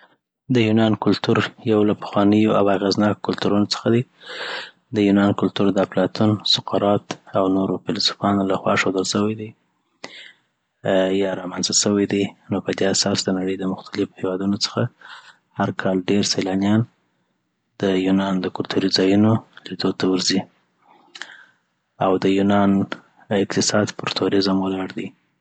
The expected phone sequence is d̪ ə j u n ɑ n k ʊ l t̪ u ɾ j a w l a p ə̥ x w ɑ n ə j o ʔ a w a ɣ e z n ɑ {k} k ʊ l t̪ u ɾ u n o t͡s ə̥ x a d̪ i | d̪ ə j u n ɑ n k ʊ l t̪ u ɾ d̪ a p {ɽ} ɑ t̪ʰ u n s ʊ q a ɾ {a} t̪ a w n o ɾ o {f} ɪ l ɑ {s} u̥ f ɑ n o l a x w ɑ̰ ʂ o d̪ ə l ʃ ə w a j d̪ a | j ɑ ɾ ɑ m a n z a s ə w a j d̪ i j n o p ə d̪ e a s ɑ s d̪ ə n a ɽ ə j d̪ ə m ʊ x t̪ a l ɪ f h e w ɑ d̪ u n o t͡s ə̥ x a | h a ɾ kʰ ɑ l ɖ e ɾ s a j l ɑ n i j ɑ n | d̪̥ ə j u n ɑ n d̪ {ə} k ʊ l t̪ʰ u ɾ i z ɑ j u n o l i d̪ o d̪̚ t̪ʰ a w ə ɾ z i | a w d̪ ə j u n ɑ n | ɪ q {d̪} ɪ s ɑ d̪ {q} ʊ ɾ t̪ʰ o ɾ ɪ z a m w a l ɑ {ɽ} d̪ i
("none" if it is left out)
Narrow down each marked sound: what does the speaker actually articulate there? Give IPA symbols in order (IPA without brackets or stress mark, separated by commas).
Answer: k, l, ɑ, f, s, ə, t̪, p, ɽ